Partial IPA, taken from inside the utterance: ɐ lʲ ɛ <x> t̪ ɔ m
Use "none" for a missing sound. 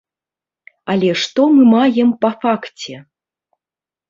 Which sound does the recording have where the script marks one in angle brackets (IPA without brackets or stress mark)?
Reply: ʂ